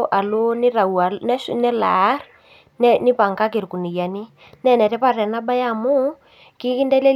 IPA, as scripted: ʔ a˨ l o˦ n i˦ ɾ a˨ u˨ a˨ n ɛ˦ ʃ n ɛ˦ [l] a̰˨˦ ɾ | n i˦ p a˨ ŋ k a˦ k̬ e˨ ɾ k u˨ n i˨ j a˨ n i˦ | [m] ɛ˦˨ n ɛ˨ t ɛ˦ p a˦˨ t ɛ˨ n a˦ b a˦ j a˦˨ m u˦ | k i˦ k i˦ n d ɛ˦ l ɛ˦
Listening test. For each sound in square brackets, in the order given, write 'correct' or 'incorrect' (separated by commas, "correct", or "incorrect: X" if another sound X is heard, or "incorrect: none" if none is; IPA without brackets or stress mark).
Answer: correct, incorrect: n